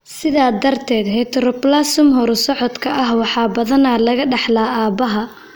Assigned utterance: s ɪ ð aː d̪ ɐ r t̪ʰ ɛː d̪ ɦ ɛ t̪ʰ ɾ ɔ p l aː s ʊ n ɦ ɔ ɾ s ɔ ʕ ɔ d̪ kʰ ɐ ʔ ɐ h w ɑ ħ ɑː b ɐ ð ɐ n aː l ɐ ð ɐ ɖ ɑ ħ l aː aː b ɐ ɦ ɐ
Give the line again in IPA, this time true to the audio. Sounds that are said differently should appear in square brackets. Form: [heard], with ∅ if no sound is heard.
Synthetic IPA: s ɪ ð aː d̪ ɐ r t̪ʰ ɛː d̪ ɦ ɛ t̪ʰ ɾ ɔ p l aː s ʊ [m] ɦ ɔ ɾ s ɔ ʕ ɔ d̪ kʰ ɐ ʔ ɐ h w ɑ ħ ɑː b ɐ ð ɐ n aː l ɐ [ɣ] ɐ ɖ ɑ ħ l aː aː b ɐ ɦ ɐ